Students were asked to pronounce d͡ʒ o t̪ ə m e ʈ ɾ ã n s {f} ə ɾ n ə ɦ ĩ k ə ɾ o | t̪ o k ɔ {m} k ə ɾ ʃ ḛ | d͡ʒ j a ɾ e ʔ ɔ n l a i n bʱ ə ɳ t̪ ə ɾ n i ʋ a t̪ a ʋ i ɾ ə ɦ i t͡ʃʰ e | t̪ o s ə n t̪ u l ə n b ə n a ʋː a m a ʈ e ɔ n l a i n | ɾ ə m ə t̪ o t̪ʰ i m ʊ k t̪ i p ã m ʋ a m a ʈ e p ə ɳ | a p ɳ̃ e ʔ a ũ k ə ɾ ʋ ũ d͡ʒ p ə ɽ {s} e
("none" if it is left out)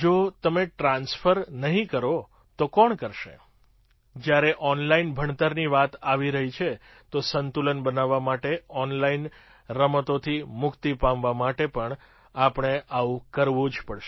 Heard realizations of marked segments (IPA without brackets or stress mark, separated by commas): f, ɳ, ʃ